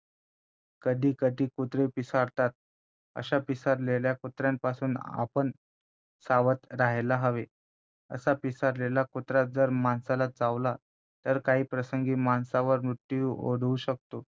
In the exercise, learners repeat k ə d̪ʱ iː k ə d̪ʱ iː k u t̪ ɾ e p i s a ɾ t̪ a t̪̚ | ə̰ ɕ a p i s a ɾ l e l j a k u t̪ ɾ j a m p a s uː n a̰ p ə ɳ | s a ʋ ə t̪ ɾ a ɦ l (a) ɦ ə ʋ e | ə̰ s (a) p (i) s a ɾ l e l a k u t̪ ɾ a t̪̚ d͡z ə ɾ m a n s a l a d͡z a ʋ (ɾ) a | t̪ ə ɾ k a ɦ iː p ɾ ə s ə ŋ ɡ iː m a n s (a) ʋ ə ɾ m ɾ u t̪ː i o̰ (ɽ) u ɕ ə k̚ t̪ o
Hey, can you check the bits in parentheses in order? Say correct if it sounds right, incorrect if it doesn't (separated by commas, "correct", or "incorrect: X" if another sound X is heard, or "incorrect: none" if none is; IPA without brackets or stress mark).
correct, correct, correct, incorrect: l, correct, correct